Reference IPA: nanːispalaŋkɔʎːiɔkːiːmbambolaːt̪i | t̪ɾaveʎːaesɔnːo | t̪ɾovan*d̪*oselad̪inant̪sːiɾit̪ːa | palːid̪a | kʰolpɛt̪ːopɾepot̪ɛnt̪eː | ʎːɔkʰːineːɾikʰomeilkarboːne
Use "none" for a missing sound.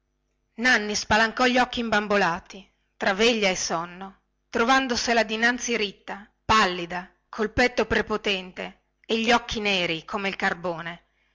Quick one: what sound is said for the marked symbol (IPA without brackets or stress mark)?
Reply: d̪